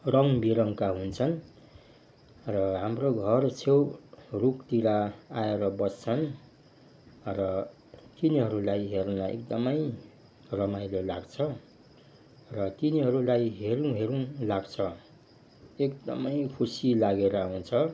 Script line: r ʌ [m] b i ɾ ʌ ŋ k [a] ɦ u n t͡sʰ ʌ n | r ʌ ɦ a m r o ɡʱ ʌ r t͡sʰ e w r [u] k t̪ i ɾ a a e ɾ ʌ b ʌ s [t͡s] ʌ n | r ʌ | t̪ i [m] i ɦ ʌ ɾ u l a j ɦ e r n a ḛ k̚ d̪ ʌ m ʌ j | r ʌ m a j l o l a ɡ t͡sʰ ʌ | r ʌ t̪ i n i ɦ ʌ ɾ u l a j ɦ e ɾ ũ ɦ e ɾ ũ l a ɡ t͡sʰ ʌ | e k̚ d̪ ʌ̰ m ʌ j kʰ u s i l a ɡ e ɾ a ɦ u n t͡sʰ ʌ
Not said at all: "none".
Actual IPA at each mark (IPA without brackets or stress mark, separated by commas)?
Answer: ŋ, a, u, t͡sʰ, n